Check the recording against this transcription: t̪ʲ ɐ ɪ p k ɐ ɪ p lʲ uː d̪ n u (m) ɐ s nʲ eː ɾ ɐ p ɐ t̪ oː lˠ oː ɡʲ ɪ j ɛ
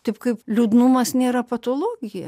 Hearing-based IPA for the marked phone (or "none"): m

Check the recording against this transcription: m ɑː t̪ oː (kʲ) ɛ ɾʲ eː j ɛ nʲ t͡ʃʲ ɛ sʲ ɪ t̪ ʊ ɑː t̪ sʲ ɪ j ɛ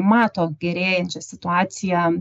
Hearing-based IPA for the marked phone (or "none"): ɡʲ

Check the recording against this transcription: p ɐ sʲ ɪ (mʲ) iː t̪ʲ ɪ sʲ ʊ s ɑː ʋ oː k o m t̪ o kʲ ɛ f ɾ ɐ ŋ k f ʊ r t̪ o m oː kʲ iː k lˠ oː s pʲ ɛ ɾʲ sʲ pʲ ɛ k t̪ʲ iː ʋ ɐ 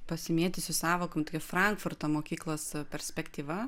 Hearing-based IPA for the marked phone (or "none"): mʲ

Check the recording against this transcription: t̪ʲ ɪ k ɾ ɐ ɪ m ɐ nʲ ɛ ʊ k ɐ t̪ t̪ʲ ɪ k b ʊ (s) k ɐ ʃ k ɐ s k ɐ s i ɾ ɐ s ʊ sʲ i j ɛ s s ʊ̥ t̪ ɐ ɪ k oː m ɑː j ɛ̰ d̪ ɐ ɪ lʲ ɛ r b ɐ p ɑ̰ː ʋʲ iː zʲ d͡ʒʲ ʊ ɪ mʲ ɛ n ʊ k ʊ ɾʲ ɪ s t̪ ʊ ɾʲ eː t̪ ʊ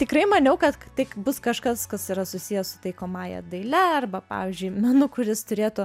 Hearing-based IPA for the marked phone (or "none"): s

